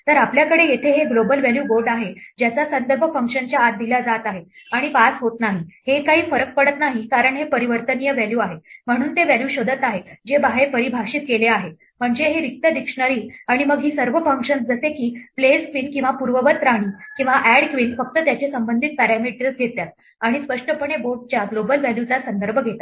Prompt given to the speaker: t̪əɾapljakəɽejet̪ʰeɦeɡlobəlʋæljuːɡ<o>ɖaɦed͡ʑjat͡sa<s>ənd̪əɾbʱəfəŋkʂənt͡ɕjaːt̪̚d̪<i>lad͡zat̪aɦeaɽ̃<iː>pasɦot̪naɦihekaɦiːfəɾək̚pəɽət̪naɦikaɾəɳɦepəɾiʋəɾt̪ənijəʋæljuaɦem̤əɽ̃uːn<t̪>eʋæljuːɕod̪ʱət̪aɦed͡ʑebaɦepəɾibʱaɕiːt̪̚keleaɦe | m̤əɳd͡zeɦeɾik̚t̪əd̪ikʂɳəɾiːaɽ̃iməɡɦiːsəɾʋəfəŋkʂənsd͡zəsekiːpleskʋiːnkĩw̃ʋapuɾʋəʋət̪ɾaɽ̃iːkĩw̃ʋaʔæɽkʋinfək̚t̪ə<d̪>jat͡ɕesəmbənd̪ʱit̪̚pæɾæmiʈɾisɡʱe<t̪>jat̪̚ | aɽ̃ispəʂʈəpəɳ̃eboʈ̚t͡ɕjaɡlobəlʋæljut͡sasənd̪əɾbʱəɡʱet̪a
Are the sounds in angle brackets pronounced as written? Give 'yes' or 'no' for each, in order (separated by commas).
yes, yes, yes, no, yes, no, yes